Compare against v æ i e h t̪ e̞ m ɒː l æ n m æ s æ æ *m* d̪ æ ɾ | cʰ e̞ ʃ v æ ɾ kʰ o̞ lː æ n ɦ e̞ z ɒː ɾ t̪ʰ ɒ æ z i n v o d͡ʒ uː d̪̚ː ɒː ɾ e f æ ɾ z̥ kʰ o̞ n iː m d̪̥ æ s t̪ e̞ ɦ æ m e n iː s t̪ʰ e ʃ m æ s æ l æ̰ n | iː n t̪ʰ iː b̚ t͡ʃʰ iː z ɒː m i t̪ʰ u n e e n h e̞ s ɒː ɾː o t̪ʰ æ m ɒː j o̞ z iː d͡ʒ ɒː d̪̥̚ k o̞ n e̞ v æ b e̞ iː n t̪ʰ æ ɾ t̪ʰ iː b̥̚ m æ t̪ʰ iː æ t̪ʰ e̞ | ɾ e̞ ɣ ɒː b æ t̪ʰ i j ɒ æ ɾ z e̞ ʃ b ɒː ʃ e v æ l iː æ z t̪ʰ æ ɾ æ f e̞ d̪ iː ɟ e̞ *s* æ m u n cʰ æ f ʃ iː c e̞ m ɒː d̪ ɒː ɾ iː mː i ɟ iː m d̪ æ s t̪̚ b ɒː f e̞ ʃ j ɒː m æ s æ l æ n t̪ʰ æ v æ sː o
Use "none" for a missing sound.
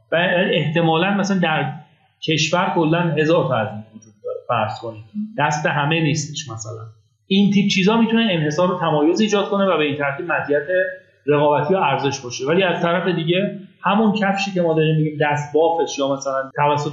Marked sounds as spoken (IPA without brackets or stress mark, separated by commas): n, h